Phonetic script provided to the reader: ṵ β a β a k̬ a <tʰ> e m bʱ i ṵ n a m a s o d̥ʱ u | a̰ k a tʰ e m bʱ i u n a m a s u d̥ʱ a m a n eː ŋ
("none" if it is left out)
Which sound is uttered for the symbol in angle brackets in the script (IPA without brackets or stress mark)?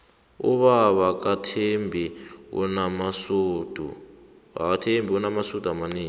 tʰ